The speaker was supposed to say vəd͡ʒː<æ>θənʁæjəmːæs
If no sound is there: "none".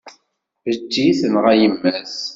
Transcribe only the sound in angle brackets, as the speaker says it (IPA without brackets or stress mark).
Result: i